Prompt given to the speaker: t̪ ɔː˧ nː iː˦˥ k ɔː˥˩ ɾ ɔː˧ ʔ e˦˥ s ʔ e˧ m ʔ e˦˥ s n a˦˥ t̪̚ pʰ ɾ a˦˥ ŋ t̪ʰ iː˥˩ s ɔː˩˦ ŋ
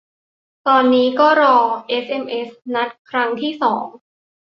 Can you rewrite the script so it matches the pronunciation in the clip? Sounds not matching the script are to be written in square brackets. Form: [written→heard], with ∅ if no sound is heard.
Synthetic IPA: t̪ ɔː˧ nː iː˦˥ k ɔː˥˩ ɾ ɔː˧ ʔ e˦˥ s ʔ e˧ m ʔ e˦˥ s n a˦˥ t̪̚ [pʰ→kʰ] ɾ a˦˥ ŋ t̪ʰ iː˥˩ s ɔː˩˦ ŋ